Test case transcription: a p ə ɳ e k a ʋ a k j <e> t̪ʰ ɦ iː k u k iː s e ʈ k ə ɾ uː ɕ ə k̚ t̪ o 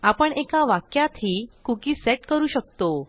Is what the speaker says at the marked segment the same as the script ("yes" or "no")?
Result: no